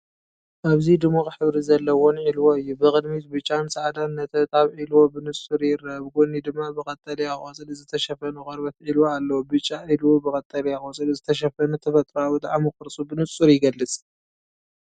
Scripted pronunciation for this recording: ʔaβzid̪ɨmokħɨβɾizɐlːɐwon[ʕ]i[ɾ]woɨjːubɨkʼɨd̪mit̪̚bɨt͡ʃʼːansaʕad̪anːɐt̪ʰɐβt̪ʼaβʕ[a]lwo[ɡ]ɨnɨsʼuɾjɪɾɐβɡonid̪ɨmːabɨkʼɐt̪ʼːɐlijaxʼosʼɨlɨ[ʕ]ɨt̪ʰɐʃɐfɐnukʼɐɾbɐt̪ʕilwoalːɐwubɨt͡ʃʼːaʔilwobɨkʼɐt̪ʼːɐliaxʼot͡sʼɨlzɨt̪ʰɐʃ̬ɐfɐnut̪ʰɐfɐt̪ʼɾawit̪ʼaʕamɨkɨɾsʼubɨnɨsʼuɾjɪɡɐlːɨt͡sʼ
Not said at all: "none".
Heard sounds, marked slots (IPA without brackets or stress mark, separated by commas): ʕ, l, i, b, z